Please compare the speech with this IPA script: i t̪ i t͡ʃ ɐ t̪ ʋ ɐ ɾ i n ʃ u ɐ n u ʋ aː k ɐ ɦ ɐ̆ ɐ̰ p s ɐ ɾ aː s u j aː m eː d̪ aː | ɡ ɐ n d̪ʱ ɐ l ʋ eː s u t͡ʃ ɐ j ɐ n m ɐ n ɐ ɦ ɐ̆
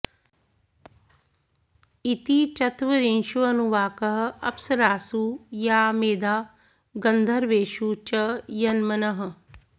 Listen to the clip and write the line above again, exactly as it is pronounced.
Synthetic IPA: i t̪ i t͡ʃ ɐ t̪ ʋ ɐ ɾ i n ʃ u ɐ n u ʋ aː k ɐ ɦ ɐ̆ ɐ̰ p s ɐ ɾ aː s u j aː m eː d̪ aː | ɡ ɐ n d̪ʱ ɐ ɾ ʋ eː ʃ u t͡ʃ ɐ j ɐ n m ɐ n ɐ ɦ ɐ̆

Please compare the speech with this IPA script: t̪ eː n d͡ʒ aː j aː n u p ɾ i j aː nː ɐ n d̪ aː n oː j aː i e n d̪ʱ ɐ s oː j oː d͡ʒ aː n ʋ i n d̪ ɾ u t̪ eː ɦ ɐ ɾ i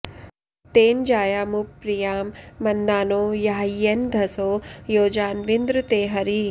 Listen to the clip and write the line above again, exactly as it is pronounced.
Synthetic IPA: t̪ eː n d͡ʒ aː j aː m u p ɾ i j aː mː ɐ n d̪ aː n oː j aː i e n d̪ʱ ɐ s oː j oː d͡ʒ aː n ʋ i n d̪ ɾ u t̪ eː ɦ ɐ ɾ i

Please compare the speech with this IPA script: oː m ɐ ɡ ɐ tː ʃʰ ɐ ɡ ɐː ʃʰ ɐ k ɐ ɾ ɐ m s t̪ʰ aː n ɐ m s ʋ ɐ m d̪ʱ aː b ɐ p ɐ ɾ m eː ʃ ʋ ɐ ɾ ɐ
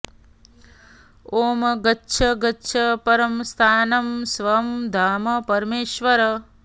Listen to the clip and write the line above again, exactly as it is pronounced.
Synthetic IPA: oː m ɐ ɡ ɐ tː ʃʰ ɐ ɡ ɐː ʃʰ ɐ p ɐ ɾ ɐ m s t̪ʰ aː n ɐ m s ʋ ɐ m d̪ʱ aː m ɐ p ɐ ɾ m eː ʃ ʋ ɐ ɾ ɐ

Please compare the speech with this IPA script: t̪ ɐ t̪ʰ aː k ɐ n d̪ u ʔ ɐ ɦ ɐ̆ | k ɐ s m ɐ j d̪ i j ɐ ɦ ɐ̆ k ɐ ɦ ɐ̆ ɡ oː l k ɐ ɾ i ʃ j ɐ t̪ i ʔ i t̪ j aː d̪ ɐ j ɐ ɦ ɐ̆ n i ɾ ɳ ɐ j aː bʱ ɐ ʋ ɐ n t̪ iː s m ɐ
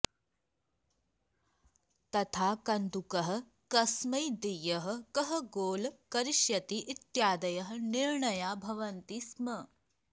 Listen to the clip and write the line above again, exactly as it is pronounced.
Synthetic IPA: t̪ ɐ t̪ʰ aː k ɐ n d̪ u k ɐ ɦ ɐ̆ | k ɐ s m ɐ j d̪ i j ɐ ɦ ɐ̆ k ɐ ɦ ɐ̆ ɡ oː l k ɐ ɾ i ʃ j ɐ t̪ i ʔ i t̪ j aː d̪ ɐ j ɐ ɦ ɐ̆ n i ɾ ɳ ɐ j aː bʱ ɐ ʋ ɐ n t̪ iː s m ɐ

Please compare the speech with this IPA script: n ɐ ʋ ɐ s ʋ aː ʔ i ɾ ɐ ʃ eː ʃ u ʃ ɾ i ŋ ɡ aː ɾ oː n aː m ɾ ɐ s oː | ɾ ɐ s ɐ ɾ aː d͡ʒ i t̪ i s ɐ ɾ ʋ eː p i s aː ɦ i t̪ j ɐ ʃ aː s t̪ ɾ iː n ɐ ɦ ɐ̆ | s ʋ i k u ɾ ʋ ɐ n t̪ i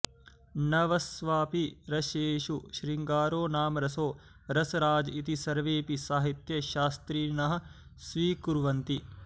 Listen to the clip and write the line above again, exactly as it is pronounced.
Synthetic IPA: n ɐ ʋ ɐ s ʋ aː p i ɾ ɐ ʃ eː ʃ u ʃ ɾ i ŋ ɡ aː ɾ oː n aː m ɾ ɐ s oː | ɾ ɐ s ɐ ɾ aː d͡ʒ i t̪ i s ɐ ɾ ʋ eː p i s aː ɦ i t̪ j ɐ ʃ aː s t̪ ɾ iː n ɐ ɦ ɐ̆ | s ʋ iː k u ɾ ʋ ɐ n t̪ i

